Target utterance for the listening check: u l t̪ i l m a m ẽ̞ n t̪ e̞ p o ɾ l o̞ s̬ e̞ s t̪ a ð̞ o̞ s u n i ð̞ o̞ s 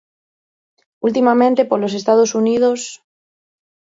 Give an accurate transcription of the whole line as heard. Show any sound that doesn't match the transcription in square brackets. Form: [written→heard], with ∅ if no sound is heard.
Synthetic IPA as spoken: u l t̪ i [l→∅] m a m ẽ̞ n t̪ e̞ p o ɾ l o̞ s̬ e̞ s t̪ a ð̞ o̞ s u n i ð̞ o̞ s